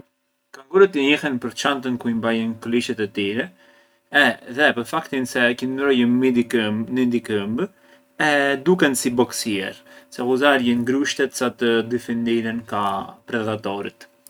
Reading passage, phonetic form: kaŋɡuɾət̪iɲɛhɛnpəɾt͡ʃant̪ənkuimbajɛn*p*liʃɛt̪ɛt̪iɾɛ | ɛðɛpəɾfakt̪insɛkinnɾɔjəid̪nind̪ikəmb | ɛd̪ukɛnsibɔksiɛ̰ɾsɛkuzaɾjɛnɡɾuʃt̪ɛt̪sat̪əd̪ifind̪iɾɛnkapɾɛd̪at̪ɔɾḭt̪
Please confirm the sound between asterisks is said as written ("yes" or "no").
no